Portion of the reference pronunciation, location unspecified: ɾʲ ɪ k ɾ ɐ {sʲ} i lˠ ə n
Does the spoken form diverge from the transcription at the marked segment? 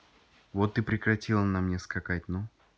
yes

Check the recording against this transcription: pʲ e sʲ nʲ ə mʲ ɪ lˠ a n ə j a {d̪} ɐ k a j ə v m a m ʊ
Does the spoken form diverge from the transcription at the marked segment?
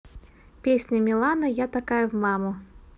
yes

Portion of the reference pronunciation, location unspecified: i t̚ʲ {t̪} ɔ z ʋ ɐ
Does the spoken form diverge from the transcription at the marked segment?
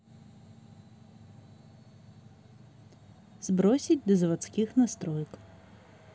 yes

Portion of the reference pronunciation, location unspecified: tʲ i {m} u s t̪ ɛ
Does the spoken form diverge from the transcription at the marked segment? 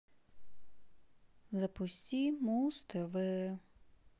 no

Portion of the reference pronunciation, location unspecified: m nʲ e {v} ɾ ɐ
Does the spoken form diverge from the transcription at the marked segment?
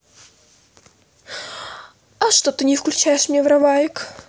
no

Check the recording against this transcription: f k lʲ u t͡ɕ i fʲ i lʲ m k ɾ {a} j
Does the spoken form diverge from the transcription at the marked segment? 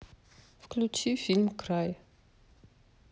no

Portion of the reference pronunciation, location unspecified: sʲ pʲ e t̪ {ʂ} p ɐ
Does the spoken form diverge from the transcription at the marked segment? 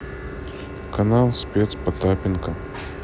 yes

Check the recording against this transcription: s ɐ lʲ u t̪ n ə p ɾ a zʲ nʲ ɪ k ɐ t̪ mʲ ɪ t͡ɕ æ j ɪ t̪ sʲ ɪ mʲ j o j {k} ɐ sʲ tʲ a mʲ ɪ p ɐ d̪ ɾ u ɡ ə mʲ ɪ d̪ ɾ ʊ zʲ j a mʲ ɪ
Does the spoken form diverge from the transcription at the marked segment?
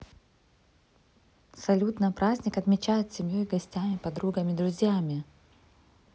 yes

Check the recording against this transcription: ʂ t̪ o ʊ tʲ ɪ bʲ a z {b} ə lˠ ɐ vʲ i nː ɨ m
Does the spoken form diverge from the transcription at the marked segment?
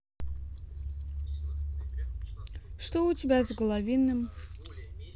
yes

